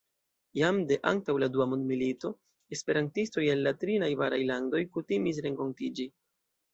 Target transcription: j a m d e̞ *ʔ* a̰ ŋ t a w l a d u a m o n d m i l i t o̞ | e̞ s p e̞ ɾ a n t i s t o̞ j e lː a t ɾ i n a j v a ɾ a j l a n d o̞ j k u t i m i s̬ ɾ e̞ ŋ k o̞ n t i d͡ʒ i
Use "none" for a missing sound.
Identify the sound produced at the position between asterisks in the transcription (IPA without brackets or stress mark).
ʔ